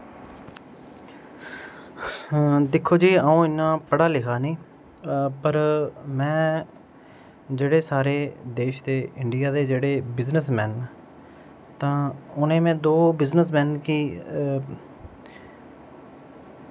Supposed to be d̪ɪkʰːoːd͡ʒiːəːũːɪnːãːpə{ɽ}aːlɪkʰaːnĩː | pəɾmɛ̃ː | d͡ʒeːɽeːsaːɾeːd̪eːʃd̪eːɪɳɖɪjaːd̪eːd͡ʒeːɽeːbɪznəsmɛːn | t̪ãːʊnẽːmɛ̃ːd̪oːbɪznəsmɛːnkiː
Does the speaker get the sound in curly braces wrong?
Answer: no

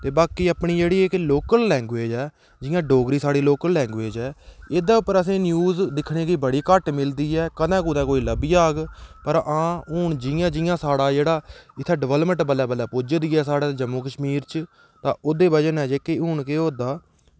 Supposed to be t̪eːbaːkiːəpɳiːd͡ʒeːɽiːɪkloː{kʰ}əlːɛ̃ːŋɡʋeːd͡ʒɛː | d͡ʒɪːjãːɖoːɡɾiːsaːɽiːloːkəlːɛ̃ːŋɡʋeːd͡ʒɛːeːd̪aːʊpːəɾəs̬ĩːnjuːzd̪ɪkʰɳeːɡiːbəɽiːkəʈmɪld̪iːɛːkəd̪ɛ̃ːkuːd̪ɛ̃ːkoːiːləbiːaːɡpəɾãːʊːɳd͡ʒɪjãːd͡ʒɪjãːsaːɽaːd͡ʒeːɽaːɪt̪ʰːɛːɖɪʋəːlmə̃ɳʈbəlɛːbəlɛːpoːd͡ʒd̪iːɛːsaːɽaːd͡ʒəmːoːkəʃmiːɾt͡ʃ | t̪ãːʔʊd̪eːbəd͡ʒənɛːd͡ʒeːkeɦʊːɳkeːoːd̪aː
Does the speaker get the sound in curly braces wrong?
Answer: yes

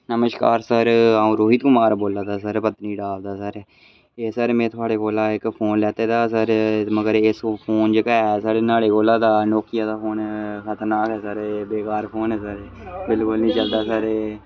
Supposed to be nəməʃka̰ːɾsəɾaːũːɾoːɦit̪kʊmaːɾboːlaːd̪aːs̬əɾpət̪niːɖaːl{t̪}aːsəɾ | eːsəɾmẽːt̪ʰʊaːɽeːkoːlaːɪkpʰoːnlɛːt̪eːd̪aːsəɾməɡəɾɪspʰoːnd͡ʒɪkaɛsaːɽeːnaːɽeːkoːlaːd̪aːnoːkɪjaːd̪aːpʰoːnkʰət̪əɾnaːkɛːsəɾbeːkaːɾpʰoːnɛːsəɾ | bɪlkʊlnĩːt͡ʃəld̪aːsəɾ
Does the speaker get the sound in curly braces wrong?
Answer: yes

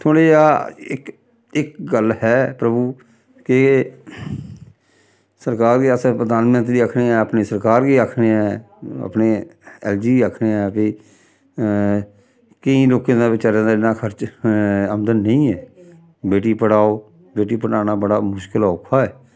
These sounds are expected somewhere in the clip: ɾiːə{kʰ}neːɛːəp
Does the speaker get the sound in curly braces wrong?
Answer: no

